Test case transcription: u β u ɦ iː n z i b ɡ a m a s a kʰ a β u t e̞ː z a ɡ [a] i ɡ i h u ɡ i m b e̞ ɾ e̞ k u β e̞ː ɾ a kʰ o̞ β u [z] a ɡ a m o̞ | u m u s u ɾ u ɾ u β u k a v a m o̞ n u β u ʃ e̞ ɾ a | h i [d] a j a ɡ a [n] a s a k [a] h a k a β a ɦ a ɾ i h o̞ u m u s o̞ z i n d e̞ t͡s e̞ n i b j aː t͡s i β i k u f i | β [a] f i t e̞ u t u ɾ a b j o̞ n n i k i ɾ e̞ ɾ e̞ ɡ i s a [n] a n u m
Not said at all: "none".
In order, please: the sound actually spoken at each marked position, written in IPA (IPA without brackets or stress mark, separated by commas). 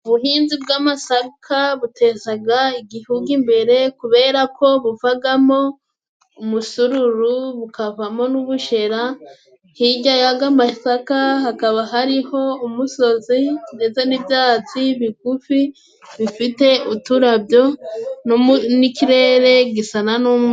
a, v, ɟ, m, a, i, n